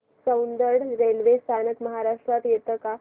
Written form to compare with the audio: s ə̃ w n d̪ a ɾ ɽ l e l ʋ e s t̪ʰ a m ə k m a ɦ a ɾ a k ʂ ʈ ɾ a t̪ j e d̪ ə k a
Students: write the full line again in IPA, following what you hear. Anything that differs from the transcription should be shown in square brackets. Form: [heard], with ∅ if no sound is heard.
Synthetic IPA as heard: s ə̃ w n d̪ [ə] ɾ ɽ [ɾ] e l ʋ e s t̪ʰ a [n] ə k m [ə] ɦ a ɾ a [∅] ʂ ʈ ɾ a t̪ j e [t̪] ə k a